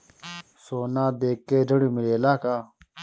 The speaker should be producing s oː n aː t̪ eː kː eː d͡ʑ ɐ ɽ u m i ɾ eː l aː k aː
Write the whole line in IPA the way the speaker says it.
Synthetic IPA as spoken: s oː n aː d̪ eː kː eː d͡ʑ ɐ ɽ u m i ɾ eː l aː k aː